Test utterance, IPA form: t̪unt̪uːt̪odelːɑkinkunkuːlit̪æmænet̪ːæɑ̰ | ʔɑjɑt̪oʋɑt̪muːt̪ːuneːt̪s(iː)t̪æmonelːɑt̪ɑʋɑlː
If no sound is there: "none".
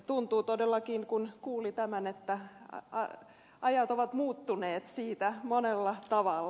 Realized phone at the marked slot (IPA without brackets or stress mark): iː